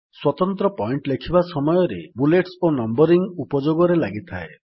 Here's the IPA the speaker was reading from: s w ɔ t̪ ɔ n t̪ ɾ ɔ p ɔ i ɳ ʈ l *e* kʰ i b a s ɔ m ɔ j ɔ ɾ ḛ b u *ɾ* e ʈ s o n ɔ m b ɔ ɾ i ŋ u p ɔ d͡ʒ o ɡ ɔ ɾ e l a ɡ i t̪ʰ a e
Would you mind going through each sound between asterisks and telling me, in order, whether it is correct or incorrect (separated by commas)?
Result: correct, incorrect